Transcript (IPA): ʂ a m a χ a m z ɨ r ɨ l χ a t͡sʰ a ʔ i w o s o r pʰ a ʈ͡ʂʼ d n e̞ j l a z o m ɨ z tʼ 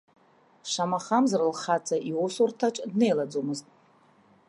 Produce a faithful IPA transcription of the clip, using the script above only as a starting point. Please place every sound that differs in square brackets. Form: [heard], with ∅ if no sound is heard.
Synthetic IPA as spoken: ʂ a m a χ a m z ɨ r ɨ l χ a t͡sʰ a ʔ i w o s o r [tʰ] a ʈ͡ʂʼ d n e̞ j l a [d͡z] o m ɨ z tʼ